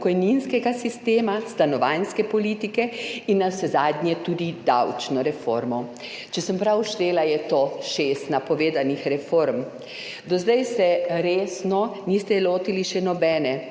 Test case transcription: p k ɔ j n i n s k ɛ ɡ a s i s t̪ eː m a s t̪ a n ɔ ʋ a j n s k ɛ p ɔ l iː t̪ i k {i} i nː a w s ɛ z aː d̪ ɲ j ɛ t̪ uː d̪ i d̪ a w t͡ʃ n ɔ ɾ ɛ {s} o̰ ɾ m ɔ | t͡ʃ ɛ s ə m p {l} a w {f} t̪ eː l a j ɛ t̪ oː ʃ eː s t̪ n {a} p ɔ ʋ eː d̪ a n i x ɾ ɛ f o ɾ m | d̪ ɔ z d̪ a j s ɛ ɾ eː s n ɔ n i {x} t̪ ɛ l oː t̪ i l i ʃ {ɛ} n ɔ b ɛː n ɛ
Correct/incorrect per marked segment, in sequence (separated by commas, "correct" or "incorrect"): incorrect, incorrect, incorrect, incorrect, correct, incorrect, correct